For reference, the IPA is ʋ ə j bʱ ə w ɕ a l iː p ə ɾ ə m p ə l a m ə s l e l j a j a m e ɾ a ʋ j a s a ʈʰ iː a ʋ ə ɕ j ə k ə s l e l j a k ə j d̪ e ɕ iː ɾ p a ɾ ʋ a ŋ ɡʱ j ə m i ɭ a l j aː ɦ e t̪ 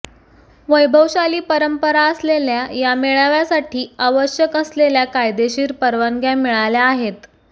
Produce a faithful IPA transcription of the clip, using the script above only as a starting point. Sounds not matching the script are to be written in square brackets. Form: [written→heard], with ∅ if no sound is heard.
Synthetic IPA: ʋ ə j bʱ ə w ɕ a l iː p ə ɾ ə m p ə [l→ɾ] a [m→∅] ə s l e l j a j a m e [ɾ→ɭ] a ʋ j a s a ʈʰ iː a ʋ ə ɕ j ə k ə s l e l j a k [ə→a] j d̪ e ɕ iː ɾ p [a→ə] ɾ ʋ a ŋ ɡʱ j [ə→a] m i ɭ a l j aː ɦ e t̪

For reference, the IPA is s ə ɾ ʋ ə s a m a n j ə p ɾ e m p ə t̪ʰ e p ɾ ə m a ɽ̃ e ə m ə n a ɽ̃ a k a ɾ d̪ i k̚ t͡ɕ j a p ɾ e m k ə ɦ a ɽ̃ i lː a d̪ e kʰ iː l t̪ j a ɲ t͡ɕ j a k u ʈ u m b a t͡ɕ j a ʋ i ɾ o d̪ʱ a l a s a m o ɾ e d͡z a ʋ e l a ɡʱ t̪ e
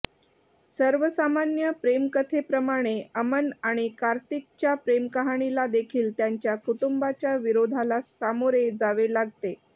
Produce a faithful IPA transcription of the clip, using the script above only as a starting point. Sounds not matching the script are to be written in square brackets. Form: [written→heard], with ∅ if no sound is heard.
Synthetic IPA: s ə ɾ ʋ ə s a m a n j ə p ɾ e m [p→k] ə t̪ʰ e p ɾ ə m a ɽ̃ e ə m ə n a ɽ̃ [a→i] k a ɾ [d̪→t̪] i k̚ t͡ɕ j a p ɾ e m k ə ɦ a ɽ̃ i [lː→l] a d̪ e kʰ iː l t̪ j a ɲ t͡ɕ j a k u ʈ u m b a t͡ɕ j a ʋ i ɾ o d̪ʱ a l a s a m o ɾ e d͡z a ʋ e l a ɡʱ t̪ e

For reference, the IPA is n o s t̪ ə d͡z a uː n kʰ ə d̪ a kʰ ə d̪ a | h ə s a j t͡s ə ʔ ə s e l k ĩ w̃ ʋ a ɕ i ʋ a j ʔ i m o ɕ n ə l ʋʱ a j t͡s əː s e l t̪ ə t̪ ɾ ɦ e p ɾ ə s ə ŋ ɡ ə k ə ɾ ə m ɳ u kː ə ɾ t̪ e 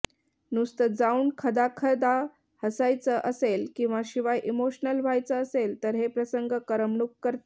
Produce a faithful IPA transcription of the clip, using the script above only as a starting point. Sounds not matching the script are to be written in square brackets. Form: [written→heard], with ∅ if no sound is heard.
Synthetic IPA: n [o→u] s t̪ ə d͡z a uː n kʰ ə d̪ a kʰ ə d̪ a | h ə s a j t͡s ə ʔ ə s e l k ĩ w̃ ʋ a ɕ i ʋ a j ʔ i m o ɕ n ə l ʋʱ a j t͡s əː s e l t̪ ə [t̪→∅] ɾ ɦ e p ɾ ə s ə ŋ ɡ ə k ə ɾ ə m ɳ u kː ə ɾ t̪ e

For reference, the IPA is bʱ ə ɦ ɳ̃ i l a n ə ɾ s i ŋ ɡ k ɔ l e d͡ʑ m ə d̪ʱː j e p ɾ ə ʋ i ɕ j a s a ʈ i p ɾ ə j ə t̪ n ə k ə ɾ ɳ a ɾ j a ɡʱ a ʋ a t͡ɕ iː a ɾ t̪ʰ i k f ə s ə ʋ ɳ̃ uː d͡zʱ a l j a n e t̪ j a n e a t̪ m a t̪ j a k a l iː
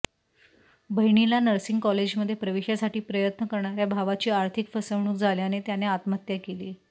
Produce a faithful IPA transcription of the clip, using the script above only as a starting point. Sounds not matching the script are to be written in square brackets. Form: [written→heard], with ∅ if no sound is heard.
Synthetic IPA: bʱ ə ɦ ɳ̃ i l a n ə ɾ s i ŋ ɡ k ɔ l e d͡ʑ m ə d̪ʱː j e p ɾ ə ʋ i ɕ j a s a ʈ [i→iː] p ɾ ə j ə t̪ n ə k ə ɾ ɳ a ɾ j a [ɡʱ→bʱ] a ʋ a t͡ɕ iː a ɾ t̪ʰ i k f ə s ə ʋ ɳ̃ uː d͡zʱ a l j a n e t̪ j a n e a t̪ m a t̪ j a k [a→e] l iː

